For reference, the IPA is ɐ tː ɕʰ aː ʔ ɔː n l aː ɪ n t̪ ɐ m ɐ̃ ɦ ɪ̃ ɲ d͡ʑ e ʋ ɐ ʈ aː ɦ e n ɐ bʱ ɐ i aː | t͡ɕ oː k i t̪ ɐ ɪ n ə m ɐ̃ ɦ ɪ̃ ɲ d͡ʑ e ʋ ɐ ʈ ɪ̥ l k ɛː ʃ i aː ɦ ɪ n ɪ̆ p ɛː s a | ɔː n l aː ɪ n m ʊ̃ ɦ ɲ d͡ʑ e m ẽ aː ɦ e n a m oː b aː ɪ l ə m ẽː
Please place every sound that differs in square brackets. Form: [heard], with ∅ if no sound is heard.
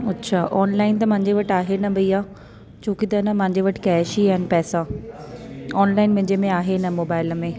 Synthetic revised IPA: ɐ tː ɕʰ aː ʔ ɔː n l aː ɪ n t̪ ɐ m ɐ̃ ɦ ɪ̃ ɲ d͡ʑ e ʋ ɐ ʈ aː ɦ e n ɐ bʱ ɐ i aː | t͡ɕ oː k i t̪ ɐ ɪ n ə m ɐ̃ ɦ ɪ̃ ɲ d͡ʑ e ʋ ɐ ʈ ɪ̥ [∅] k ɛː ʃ i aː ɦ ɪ n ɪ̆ p ɛː s a | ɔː n l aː ɪ n m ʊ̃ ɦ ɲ d͡ʑ e m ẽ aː ɦ e n [ɐ] m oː b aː ɪ l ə m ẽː